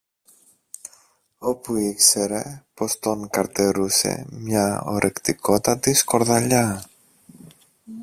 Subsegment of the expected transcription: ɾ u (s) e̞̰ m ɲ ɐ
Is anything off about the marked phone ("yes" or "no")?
no